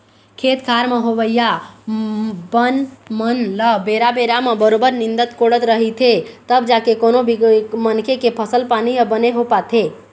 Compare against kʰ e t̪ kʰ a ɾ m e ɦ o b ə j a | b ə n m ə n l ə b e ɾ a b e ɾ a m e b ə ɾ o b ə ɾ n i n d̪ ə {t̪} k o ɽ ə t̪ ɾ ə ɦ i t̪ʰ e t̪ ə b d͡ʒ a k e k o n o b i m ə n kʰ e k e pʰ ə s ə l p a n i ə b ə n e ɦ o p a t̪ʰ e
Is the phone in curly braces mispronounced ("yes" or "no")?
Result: no